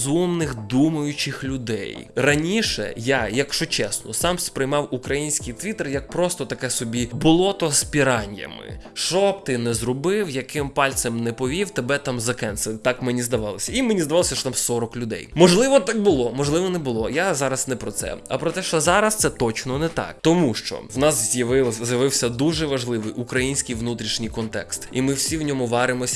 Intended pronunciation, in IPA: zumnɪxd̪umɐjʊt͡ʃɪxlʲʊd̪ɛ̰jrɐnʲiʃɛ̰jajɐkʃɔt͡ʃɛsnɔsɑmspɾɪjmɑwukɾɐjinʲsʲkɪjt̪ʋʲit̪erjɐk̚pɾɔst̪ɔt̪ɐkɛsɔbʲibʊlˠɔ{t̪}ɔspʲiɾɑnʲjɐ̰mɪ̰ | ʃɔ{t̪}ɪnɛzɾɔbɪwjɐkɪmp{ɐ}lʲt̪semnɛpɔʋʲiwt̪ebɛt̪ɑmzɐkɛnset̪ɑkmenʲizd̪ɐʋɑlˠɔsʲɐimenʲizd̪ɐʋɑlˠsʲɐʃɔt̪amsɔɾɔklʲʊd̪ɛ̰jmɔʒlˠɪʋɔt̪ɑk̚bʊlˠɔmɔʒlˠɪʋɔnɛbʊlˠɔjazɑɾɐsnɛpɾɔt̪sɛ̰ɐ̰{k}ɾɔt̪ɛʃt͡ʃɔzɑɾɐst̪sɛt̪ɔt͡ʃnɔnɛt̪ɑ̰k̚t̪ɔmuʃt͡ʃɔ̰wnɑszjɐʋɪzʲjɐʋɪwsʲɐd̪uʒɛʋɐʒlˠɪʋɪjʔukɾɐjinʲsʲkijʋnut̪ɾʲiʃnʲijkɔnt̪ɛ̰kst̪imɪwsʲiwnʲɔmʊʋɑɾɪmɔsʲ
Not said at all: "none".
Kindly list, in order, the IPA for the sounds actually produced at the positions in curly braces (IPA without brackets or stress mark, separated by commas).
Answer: t̪, t̪, ɑ, p